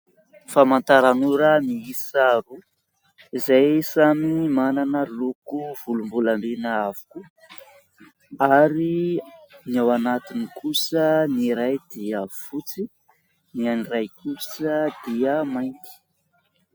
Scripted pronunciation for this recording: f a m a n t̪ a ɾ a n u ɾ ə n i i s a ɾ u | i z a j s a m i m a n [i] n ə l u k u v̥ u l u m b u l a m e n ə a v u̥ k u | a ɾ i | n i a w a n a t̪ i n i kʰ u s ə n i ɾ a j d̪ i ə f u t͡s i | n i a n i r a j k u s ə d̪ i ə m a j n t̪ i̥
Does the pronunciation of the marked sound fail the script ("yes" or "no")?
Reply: yes